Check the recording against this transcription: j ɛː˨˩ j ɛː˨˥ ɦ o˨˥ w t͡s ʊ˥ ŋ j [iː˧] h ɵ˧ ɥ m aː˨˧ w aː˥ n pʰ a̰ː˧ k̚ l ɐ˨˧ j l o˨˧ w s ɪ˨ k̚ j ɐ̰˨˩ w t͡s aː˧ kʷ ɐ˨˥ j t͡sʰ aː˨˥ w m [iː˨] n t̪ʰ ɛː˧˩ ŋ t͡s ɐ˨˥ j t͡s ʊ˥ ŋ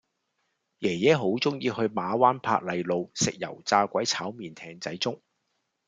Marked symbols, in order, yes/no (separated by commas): yes, yes